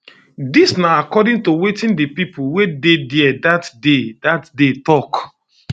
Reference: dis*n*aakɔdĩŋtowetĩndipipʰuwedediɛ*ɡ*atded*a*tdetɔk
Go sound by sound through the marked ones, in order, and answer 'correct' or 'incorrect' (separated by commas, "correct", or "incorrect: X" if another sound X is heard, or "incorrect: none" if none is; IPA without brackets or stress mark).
correct, incorrect: d, correct